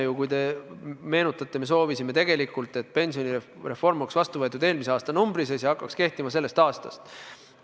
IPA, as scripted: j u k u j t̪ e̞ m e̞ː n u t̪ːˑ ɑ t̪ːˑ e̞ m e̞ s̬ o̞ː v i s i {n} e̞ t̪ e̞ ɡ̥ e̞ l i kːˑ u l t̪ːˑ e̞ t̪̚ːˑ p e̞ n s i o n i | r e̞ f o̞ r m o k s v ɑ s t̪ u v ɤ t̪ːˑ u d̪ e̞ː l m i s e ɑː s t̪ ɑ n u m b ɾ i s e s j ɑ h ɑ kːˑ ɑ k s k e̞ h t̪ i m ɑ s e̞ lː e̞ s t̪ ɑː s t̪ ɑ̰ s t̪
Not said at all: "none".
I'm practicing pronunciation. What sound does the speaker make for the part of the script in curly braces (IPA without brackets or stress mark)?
m